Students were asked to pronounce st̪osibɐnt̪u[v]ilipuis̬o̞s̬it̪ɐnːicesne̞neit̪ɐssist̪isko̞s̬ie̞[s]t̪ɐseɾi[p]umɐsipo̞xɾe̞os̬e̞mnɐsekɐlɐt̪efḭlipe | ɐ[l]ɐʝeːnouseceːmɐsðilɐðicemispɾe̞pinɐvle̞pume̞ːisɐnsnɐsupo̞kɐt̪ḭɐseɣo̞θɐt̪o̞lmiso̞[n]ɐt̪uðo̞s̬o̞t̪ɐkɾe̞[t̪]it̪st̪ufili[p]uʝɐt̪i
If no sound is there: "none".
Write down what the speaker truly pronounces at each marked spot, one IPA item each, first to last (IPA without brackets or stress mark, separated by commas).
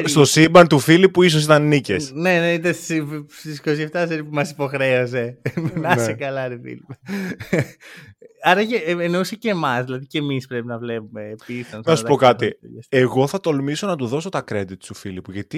f, f, p, ɾ, n, d̪, p